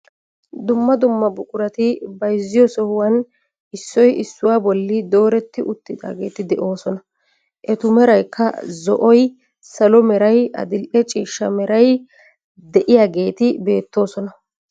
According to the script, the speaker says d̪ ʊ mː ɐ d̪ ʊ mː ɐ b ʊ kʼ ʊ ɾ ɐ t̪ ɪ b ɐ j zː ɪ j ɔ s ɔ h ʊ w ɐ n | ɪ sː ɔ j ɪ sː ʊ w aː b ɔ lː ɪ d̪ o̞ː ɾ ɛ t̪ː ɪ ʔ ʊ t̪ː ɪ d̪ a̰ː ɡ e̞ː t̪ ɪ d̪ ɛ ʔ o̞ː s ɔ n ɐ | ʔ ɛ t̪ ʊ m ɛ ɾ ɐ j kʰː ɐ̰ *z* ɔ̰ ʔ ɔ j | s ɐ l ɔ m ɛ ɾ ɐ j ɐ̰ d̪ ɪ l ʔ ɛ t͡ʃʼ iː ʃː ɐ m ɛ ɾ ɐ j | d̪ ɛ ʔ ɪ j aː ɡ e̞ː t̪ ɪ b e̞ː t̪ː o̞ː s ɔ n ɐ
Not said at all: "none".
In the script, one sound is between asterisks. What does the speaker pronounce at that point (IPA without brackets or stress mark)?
z